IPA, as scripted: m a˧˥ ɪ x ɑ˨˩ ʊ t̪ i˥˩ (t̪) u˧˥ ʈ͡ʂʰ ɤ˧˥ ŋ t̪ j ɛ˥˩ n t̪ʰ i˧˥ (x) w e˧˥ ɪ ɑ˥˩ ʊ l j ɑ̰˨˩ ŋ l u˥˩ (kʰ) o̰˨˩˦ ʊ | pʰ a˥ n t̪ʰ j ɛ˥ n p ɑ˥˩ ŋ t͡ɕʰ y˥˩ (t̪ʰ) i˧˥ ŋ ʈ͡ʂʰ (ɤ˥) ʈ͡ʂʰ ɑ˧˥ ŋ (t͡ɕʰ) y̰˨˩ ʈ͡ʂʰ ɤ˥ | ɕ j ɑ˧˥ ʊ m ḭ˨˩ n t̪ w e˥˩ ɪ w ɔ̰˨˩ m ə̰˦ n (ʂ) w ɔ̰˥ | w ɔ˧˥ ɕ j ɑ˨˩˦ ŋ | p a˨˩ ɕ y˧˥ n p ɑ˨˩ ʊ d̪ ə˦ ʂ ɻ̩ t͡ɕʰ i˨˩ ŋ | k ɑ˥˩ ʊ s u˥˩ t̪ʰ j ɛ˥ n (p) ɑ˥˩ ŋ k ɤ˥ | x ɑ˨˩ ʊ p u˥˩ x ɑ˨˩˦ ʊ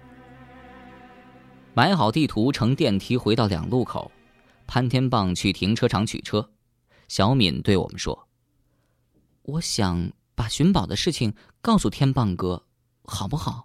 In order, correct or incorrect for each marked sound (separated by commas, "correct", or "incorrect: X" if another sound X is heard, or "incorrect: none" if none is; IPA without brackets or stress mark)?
incorrect: t̪ʰ, correct, correct, correct, correct, correct, correct, correct